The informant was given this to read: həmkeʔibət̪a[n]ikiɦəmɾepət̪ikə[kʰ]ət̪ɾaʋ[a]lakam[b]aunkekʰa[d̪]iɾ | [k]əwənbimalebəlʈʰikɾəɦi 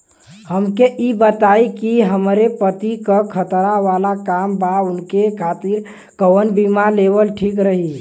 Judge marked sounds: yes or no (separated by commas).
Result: no, yes, yes, yes, no, yes